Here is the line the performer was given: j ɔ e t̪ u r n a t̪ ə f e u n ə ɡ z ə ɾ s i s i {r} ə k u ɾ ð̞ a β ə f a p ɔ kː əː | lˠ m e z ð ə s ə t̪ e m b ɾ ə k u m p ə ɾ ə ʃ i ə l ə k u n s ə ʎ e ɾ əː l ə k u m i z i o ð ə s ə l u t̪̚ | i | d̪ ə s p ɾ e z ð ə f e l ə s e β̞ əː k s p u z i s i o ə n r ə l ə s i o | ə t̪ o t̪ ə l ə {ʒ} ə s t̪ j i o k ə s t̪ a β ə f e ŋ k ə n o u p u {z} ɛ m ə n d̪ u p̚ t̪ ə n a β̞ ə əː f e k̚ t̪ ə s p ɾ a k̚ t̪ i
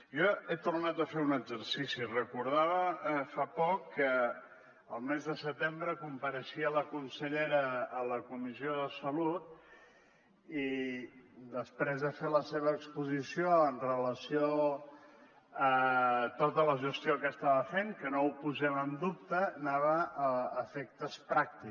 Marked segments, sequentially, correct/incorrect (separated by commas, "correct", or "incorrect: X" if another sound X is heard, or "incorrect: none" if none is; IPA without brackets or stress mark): correct, correct, correct